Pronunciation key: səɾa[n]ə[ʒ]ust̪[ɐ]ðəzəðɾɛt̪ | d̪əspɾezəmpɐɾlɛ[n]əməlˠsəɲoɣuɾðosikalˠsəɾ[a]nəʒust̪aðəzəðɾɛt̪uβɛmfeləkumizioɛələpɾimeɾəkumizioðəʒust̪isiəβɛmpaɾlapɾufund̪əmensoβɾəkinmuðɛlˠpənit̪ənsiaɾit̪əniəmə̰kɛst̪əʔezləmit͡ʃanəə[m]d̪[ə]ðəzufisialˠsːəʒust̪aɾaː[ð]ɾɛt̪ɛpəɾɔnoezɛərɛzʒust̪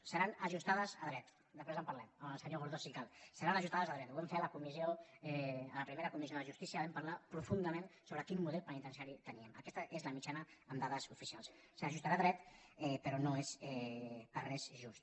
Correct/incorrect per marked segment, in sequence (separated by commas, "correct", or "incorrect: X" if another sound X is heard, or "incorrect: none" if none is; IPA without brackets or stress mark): correct, correct, incorrect: a, incorrect: m, correct, correct, incorrect: a, correct